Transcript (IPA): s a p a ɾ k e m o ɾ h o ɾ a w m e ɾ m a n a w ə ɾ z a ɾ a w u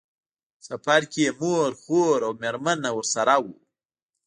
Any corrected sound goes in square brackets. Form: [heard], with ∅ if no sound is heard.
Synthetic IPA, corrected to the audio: s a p a ɾ k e m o ɾ [x] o ɾ a w m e ɾ m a n a w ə ɾ [s] a ɾ a w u